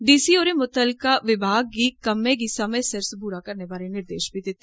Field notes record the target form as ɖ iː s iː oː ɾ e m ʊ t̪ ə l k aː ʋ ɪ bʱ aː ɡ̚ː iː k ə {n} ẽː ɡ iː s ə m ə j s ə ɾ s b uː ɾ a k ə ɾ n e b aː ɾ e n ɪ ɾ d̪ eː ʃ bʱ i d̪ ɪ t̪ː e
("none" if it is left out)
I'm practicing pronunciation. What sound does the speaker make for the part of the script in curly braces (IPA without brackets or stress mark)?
m